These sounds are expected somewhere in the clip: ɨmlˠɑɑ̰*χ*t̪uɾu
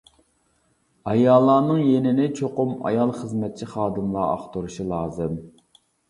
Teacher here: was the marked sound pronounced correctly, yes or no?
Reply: yes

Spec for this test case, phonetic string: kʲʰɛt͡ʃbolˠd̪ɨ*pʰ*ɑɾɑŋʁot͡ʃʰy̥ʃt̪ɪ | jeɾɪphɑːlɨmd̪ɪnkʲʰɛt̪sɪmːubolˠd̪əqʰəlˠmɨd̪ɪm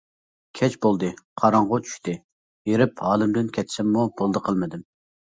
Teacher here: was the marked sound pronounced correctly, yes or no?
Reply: no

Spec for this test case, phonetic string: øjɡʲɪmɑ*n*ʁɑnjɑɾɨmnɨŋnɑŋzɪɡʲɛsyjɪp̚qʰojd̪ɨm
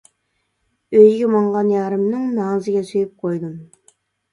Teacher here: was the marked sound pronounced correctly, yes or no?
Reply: no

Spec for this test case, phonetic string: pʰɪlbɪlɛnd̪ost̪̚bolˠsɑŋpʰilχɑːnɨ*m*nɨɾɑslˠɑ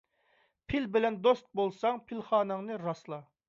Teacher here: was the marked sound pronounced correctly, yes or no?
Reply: no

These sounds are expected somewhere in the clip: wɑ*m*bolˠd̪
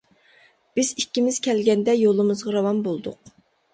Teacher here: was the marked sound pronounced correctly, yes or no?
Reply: yes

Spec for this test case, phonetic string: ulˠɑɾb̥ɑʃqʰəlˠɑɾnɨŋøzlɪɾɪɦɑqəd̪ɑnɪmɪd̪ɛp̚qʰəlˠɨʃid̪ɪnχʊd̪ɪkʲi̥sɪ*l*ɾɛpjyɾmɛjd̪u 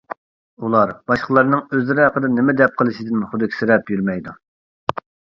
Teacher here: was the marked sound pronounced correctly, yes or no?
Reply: no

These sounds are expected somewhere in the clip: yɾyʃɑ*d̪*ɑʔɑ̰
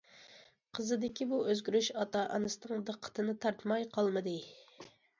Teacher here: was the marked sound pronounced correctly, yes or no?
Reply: no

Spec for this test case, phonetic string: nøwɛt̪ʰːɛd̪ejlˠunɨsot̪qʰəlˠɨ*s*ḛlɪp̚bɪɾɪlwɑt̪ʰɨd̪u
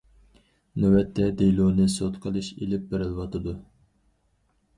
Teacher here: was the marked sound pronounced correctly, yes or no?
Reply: no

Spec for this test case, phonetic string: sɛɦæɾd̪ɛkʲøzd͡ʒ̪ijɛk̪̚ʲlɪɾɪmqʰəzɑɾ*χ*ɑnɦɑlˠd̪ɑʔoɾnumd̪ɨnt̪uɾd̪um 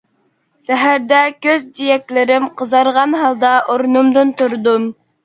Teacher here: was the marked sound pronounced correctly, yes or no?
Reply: no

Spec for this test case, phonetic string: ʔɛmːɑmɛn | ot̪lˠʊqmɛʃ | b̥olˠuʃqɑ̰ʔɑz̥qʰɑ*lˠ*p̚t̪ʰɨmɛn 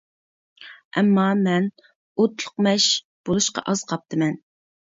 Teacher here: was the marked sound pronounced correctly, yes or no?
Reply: no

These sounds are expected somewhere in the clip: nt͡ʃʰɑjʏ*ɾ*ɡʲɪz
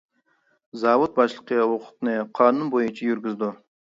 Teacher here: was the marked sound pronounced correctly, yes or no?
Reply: yes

